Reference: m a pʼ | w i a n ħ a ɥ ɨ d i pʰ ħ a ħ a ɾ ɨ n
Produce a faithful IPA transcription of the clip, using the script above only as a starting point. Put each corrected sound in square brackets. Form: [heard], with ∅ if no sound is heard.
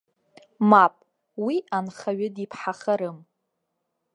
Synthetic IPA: m a pʼ | w i a n [χ] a ɥ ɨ d i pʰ ħ a [χ] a ɾ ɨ [m]